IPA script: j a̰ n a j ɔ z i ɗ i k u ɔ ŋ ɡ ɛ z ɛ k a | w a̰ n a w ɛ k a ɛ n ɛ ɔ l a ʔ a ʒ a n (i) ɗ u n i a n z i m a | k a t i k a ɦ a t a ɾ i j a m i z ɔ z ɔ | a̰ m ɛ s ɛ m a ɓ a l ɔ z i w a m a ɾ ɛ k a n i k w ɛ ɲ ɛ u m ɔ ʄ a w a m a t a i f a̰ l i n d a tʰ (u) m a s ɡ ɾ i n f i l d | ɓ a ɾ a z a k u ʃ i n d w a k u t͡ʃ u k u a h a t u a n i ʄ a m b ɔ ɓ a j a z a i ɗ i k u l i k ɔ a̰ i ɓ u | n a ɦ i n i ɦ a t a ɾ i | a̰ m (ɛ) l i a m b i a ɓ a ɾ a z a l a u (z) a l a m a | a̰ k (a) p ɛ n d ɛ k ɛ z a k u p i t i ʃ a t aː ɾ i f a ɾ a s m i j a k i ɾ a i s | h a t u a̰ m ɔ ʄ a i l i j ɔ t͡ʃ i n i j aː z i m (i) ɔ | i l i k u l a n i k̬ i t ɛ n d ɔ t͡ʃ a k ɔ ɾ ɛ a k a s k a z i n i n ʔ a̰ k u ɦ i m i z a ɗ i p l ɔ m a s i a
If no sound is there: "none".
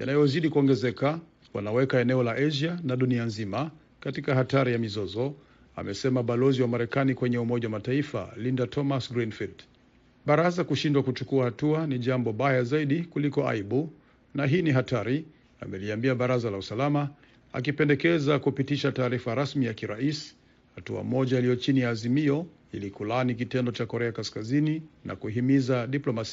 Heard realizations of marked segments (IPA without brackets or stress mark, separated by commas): a, ɔ, ɛ, s, i, i